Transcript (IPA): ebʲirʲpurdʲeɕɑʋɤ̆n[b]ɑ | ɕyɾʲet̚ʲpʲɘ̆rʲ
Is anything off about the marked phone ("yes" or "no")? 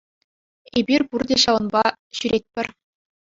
no